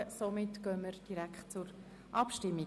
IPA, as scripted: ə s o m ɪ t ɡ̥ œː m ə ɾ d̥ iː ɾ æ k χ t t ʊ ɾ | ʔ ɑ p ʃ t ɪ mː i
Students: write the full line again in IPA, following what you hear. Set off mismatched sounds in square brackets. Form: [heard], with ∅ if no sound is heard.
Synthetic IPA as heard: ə s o m ɪ t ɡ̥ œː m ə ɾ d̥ [i] ɾ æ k χ t [t͡s] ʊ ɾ | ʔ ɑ p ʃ t ɪ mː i